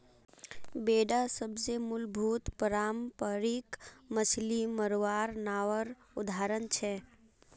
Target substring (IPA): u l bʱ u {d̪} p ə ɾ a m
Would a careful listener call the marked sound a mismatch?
yes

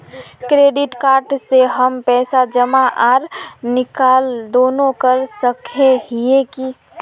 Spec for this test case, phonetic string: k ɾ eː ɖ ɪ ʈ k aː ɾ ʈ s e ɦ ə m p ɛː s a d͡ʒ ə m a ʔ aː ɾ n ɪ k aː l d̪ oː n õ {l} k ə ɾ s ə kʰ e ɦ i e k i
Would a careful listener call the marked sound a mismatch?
yes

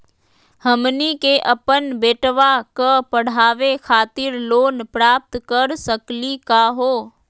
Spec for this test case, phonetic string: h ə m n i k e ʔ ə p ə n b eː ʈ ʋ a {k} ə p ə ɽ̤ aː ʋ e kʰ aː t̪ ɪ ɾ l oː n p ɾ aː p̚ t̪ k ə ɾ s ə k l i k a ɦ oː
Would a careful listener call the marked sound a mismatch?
no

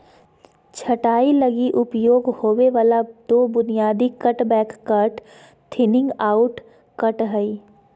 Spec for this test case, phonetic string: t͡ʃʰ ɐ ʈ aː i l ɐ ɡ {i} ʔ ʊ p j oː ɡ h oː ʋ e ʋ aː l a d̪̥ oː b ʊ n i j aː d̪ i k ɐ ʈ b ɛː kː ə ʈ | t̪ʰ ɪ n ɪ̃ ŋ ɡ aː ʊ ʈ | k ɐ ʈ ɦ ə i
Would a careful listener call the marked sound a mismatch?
no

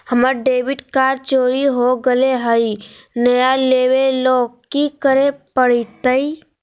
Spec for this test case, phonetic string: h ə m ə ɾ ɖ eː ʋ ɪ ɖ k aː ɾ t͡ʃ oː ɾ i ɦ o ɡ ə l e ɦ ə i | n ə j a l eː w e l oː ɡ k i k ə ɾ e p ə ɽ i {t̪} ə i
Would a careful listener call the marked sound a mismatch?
no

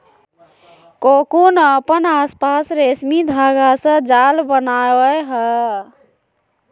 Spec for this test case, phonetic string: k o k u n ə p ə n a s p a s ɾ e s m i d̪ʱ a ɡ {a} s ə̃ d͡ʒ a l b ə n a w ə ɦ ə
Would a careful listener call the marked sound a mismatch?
no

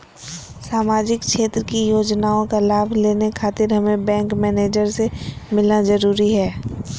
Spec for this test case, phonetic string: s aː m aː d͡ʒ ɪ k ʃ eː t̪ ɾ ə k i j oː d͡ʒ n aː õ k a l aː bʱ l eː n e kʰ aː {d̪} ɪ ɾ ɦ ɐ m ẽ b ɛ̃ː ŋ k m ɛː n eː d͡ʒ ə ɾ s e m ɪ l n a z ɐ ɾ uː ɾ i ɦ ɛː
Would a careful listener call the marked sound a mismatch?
yes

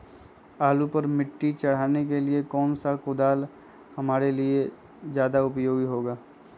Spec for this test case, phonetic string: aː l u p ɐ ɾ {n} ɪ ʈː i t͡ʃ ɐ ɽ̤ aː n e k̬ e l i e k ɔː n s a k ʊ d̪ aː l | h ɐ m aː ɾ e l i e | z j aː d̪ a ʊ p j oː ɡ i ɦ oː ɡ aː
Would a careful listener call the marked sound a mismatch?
yes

